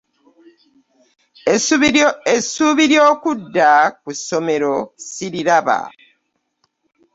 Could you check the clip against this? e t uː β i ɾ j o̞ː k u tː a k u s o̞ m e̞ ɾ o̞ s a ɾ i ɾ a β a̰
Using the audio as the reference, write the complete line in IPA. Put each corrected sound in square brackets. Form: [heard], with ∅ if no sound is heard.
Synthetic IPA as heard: e [s] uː β i ɾ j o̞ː k u [dː] a k u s o̞ m e̞ ɾ o̞ s [i] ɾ i ɾ a β a̰

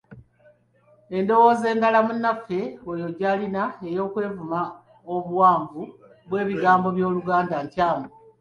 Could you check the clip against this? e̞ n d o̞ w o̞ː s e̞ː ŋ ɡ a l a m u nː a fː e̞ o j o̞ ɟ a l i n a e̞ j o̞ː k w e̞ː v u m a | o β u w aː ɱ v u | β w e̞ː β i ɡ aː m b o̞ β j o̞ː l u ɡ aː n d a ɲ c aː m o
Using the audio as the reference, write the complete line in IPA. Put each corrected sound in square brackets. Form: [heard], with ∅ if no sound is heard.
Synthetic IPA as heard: e̞ n d o̞ w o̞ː [z] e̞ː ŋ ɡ a l a m u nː a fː e̞ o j o̞ ɟ a l i n a e̞ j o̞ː k w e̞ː v u m a | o β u w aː ɱ v u | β w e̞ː β i ɡ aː m b o̞ β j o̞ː l u ɡ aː n d a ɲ c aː m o

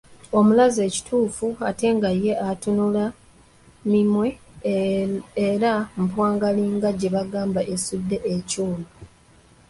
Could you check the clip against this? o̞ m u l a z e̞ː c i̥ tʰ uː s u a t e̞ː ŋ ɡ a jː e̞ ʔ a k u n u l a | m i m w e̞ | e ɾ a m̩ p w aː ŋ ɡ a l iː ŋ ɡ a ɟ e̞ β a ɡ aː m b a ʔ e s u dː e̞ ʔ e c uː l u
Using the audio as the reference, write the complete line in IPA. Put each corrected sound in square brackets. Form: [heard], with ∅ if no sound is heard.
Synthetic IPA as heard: o̞ m u l a z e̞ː c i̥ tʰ uː [f] u a t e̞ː ŋ ɡ a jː e̞ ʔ a [t] u n u l a | m i m w e̞ | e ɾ a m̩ p w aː ŋ ɡ a l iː ŋ ɡ a ɟ e̞ β a ɡ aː m b a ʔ e s u dː e̞ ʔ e c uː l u

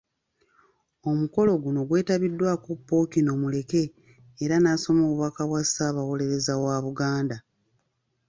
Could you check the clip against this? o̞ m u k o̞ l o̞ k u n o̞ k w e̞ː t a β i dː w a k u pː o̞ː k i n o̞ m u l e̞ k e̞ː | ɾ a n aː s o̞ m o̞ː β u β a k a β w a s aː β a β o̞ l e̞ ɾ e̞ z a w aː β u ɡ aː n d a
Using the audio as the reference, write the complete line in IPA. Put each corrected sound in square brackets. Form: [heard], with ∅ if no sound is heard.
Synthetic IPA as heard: o̞ m u k o̞ l o̞ [ɡ] u n o̞ [ɡ] w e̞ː t a β i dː w a k u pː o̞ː k i n o̞ m u l e̞ k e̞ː | ɾ a n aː s o̞ m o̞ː β u β a k a β w a s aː β a [w] o̞ l e̞ ɾ e̞ z a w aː β u ɡ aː n d a

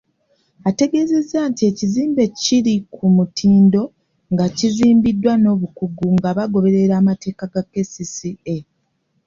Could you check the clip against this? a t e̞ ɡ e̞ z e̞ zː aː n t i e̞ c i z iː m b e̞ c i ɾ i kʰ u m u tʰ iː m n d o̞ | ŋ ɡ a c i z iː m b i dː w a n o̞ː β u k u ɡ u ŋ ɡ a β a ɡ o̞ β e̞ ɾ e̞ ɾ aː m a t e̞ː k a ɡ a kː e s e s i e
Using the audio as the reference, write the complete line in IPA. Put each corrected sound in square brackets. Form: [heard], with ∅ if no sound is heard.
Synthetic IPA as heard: a t e̞ ɡ e̞ z e̞ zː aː n t i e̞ c i z iː m b e̞ c i ɾ i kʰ u m u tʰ iː [∅] n d o̞ | ŋ ɡ a c i z iː m b i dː w a n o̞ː β u k u ɡ u ŋ ɡ a β a ɡ o̞ β e̞ ɾ e̞ ɾ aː m a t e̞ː k a ɡ a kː e s [i] s i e

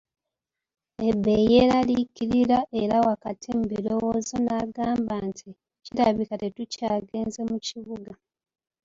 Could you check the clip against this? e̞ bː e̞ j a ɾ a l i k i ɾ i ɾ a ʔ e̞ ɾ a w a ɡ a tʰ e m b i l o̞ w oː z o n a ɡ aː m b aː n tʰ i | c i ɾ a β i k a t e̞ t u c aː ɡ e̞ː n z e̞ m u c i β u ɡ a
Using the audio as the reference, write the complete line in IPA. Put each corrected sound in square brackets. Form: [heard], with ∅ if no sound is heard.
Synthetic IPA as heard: e̞ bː e̞ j [e] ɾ a l i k i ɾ i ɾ a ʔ e̞ ɾ a w a [k] a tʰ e m b i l o̞ w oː z o n a ɡ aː m b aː n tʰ i | c i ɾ a β i k a t e̞ t u c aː ɡ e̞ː n z e̞ m u c i β u ɡ a

